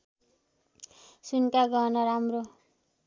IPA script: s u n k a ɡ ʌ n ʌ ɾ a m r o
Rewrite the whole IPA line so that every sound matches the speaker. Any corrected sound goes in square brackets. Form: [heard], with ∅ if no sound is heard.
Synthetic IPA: s u n k a ɡ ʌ n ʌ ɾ a m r o